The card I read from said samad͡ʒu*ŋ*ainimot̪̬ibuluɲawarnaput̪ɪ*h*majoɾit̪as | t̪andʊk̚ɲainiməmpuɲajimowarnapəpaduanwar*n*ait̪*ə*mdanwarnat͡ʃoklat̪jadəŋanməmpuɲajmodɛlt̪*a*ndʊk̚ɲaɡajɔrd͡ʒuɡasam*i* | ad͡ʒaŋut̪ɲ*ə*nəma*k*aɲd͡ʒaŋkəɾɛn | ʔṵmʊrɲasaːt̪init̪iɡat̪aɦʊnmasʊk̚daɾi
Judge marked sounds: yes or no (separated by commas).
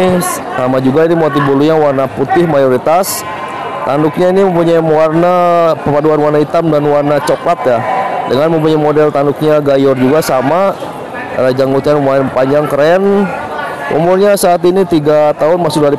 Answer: no, yes, yes, no, yes, no, no, no